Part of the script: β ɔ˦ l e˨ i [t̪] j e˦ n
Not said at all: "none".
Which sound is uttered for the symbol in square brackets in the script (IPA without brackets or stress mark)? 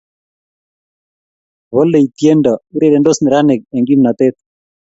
t̪